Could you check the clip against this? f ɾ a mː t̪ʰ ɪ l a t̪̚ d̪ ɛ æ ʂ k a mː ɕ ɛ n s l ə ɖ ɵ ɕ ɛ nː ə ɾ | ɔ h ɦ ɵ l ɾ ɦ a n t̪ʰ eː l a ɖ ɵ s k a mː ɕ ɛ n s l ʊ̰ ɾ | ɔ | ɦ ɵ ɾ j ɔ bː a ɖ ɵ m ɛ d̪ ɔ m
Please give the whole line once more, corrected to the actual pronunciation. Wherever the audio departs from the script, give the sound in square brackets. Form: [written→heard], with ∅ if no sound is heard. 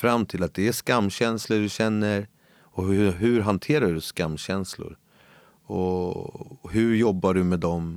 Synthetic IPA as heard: f ɾ a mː t̪ʰ ɪ l a t̪̚ d̪ ɛ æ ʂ k a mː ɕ ɛ n s l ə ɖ ɵ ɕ ɛ nː ə ɾ | ɔ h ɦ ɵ [l→∅] ɾ ɦ a n t̪ʰ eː [l→ɾ] a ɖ ɵ s k a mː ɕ ɛ n s l ʊ̰ ɾ | ɔ | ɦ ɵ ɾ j ɔ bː a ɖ ɵ m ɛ d̪ ɔ m